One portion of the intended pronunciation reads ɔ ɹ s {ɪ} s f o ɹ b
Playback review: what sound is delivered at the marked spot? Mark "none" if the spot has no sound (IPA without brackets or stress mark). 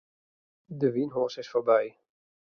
ɪ